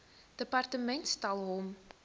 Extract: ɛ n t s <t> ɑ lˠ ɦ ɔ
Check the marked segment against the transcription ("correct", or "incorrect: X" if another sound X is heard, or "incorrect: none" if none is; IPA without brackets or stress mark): correct